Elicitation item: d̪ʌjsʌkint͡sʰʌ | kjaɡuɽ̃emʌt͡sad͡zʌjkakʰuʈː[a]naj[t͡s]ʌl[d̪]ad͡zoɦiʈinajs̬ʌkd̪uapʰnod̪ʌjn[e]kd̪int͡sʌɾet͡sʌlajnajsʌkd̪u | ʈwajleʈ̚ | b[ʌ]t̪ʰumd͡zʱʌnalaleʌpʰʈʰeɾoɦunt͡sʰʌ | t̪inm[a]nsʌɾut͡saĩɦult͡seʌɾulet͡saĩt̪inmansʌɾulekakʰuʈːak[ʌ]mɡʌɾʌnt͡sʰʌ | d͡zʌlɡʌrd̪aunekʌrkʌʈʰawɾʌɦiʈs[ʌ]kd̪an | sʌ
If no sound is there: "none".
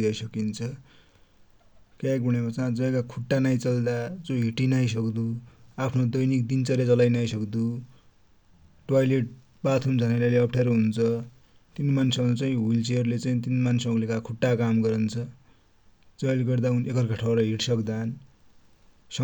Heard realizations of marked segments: a, t͡s, d̪, i, a, a, a, ʌ

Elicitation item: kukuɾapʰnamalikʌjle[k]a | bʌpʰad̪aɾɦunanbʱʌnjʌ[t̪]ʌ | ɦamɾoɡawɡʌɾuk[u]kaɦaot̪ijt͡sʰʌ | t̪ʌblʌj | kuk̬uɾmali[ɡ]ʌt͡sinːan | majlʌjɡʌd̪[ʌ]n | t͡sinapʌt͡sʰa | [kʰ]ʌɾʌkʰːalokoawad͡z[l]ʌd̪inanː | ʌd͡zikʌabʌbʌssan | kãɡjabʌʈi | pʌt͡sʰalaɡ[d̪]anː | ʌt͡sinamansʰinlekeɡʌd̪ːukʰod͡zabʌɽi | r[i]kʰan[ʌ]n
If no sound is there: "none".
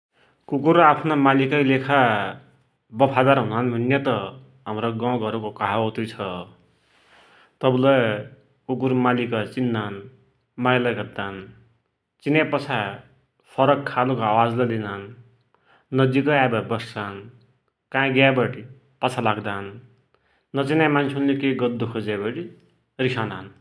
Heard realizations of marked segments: kʰ, t̪, o, k, a, pʰ, l, d̪, i, a

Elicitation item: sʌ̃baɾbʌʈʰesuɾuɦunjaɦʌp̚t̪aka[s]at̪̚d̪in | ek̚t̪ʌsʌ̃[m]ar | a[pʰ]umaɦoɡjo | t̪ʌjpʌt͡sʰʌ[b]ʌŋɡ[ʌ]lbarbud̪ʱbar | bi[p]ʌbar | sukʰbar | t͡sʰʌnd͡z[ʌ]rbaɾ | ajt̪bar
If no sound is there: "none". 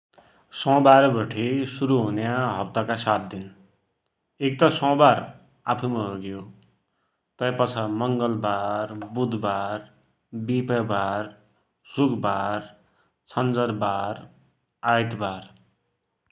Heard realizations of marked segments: s, b, pʰ, m, ʌ, p, ʌ

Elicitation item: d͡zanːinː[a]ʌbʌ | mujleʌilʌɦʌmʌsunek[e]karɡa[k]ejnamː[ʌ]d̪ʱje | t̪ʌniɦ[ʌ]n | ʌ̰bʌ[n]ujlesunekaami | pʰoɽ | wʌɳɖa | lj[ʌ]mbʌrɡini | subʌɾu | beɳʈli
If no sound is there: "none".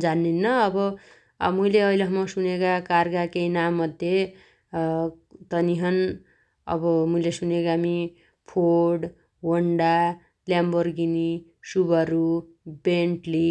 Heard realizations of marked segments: ʌ, a, k, ʌ, ʌ, m, a

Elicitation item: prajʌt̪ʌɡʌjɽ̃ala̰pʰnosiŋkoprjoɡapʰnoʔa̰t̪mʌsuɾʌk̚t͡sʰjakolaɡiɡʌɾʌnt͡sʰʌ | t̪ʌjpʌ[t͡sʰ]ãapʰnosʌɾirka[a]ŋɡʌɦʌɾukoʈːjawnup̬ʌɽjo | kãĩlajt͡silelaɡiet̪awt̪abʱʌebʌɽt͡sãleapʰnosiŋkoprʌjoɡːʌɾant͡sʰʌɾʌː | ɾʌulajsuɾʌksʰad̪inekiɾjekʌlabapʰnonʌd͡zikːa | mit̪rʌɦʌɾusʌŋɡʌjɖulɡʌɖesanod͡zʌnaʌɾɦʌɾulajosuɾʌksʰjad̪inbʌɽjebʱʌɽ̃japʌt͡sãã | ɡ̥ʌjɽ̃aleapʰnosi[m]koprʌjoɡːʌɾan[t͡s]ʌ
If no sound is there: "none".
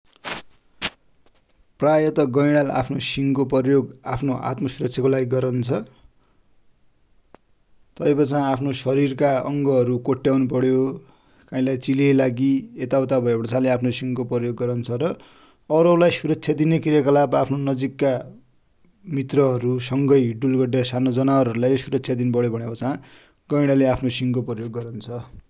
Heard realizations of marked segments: t͡s, ʌ, ŋ, t͡sʰ

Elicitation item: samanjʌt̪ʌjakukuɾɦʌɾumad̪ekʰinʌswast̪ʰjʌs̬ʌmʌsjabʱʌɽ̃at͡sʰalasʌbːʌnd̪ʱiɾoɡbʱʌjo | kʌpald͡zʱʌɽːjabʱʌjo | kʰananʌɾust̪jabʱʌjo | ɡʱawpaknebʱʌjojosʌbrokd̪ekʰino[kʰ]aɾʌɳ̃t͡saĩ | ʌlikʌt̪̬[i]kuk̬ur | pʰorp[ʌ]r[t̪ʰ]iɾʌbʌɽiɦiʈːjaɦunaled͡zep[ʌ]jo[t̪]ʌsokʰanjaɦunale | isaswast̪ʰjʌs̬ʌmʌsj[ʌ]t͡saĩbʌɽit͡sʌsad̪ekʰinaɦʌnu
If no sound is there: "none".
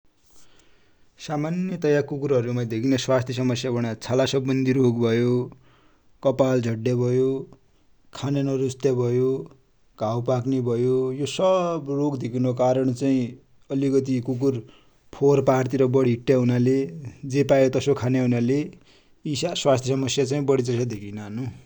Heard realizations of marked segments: k, i, a, t̪, a, t̪, a

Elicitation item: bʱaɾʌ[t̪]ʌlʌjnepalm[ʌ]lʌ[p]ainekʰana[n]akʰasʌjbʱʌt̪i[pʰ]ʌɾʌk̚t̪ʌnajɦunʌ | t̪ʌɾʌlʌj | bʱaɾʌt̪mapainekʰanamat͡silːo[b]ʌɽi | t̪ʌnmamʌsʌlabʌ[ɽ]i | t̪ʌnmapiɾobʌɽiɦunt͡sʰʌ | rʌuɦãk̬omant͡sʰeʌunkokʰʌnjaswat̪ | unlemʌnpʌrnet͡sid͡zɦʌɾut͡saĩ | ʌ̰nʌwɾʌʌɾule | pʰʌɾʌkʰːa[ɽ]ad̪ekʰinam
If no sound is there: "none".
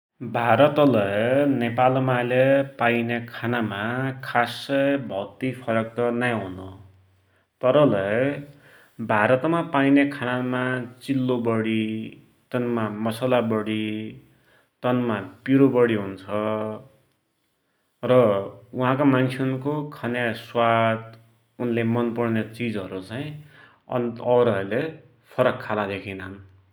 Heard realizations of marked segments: t̪, a, p, m, pʰ, b, ɽ, l

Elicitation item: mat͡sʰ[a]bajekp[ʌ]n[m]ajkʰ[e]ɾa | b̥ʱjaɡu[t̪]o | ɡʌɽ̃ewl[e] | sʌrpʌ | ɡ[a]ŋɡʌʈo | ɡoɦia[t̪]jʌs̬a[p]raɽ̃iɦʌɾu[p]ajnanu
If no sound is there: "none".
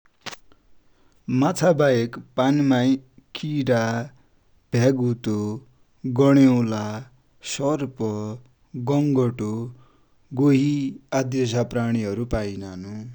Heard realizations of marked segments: a, a, m, i, t̪, a, ʌ, d̪, p, p

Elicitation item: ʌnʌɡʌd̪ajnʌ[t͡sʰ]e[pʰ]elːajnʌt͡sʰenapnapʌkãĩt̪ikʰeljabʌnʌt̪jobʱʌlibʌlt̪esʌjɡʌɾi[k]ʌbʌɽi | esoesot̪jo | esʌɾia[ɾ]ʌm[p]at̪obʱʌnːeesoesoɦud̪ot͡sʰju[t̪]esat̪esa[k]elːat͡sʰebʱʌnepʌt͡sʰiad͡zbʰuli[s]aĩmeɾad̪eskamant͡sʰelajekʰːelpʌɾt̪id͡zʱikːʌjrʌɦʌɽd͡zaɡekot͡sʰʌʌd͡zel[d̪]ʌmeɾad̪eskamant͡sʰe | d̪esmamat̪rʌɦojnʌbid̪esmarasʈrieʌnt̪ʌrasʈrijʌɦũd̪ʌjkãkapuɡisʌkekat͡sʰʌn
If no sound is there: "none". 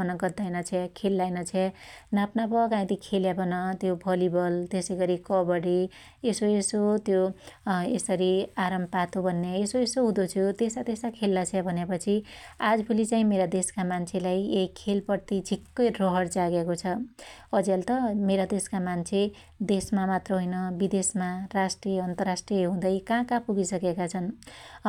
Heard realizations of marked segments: t͡sʰ, kʰ, k, ɾ, p, t̪, kʰ, t͡s, t̪

